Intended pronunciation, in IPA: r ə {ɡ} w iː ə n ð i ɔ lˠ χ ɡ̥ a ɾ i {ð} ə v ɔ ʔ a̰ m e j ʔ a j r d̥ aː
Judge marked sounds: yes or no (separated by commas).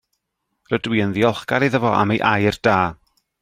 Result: no, yes